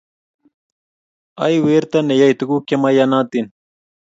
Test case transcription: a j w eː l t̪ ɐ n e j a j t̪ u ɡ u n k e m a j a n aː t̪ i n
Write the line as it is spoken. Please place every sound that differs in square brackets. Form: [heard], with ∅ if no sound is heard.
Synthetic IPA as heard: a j w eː [ɾ] t̪ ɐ n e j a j t̪ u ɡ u [∅] k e m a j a n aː t̪ i n

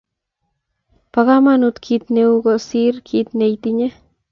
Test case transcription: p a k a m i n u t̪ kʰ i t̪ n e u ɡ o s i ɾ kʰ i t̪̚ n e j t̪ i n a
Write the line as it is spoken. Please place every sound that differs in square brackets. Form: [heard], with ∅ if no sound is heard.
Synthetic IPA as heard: p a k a m [a] n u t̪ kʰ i t̪ n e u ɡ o s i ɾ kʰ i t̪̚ n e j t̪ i [ɲ] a

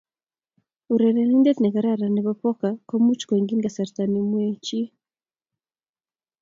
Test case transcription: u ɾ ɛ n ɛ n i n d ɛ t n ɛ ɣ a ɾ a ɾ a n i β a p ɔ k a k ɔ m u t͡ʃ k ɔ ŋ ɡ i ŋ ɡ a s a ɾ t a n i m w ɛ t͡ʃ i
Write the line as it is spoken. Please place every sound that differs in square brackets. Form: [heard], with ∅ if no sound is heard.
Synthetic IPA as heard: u ɾ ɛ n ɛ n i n d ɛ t n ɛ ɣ a ɾ a ɾ a n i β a p ɔ k a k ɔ m u t͡ʃ k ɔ ŋ ɡ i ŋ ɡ a s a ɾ t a n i m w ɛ t͡ʃ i

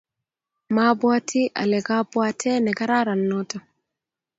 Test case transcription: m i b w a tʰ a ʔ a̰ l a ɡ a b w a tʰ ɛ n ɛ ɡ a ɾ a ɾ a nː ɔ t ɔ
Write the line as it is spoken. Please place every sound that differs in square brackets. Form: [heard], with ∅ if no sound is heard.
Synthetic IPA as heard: m [a] b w a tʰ [i] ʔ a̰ l [ɛ] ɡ a b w a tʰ ɛ n ɛ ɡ a ɾ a ɾ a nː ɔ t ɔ

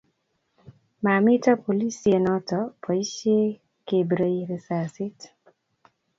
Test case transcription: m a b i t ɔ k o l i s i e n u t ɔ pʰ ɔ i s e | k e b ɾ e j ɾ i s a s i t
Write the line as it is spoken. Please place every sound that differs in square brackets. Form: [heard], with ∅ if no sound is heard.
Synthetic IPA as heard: m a [m] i t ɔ [p] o l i s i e n [ɔ] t ɔ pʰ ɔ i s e | k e b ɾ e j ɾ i s a s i t

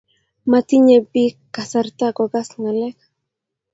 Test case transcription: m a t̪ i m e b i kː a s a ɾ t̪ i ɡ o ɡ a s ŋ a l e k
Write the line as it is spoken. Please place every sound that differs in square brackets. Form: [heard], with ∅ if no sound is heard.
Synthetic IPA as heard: m a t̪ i [ɲ] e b i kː a s a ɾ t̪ [a] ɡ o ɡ a s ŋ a l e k

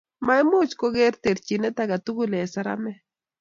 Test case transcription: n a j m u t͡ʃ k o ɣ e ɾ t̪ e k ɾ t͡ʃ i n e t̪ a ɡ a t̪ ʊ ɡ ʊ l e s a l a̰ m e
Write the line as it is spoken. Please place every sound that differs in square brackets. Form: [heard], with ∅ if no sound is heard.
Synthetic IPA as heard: [m] a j m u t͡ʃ k o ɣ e ɾ t̪ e [∅] ɾ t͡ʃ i n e t̪ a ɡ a t̪ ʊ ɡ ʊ l e s a [ɾ] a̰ m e

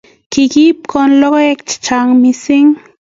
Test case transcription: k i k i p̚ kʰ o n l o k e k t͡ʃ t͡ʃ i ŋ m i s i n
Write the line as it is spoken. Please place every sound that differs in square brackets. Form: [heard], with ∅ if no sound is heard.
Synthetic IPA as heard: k i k i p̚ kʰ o n l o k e k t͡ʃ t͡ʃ [a] ŋ m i s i [ŋ]

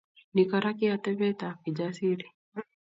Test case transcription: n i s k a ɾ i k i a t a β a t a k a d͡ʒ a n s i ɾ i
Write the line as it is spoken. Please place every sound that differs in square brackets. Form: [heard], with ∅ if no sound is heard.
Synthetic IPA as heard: n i [∅] k a ɾ [a] k i a t [ɛ] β [ɛ] t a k [i] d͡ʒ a [∅] s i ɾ i

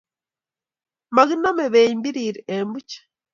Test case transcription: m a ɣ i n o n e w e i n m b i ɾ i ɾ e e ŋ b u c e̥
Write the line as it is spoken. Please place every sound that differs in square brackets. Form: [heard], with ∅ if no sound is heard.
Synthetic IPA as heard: m a ɣ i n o [m] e [β] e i [∅] m b i ɾ i ɾ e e [m] b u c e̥

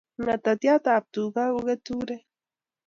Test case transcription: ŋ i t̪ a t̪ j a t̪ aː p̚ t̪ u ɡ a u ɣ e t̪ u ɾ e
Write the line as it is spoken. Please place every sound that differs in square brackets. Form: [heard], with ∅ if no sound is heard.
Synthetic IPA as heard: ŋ [a] t̪ a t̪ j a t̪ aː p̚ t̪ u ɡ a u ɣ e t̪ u ɾ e

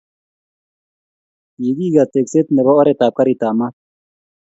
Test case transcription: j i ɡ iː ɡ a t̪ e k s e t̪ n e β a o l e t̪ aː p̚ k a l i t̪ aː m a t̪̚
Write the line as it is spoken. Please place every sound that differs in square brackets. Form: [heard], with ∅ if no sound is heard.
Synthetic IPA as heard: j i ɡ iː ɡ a t̪ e k s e t̪ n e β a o [ɾ] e t̪ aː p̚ k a [ɾ] i t̪ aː m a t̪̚

